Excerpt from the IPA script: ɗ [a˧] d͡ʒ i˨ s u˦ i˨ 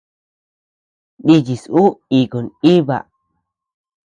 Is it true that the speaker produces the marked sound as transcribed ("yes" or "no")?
no